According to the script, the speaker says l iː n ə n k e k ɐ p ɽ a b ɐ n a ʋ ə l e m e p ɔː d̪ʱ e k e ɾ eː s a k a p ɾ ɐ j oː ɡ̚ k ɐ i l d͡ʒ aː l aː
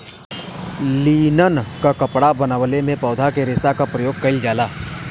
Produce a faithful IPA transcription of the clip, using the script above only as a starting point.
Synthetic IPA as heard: l iː n ə n k a k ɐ p ɽ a b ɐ n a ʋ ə l e m ẽ p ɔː d̪ʱ a k e ɾ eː s a k a p ɾ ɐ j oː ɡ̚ k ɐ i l d͡ʒ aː l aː